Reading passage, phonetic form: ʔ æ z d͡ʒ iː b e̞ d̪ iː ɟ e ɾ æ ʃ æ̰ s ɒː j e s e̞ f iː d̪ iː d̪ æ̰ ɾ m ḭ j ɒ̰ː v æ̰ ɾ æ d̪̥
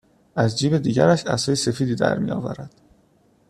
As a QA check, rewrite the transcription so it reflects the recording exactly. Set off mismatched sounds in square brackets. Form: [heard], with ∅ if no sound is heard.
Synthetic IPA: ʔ æ z d͡ʒ iː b e̞ d̪ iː ɟ [æ] ɾ æ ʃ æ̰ s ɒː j e s e̞ f iː d̪ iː d̪ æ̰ ɾ m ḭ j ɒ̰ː v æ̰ ɾ æ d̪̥